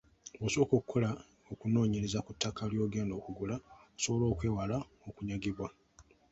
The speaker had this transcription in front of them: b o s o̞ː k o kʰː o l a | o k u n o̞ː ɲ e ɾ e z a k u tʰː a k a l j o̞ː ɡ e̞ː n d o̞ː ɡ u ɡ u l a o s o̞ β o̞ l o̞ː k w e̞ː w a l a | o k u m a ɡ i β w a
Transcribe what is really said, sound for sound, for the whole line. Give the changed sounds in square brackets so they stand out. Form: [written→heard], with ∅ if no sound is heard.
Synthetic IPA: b o s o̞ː k o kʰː o l a | o k u n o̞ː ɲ e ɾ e z a k u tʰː a k a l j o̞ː ɡ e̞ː n d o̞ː [ɡ→k] u ɡ u l a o s o̞ β o̞ l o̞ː k w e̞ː w a l a | o k u [m→ɲ] a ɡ i β w a